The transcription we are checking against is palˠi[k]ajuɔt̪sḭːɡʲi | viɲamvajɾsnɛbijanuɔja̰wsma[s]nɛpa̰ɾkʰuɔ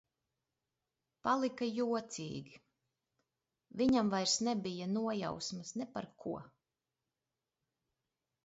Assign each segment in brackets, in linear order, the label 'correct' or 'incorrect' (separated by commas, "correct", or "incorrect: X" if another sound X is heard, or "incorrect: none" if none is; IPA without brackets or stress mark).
correct, correct